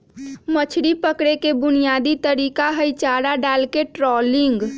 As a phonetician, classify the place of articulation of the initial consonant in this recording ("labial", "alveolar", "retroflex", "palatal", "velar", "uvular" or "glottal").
labial